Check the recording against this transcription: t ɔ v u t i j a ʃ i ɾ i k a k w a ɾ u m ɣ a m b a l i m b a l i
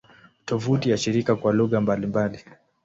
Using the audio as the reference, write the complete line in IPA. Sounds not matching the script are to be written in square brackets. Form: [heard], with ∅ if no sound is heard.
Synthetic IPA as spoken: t ɔ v u t i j a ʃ i ɾ i k a k w a [l] u [∅] ɣ a m b a l i m b a l i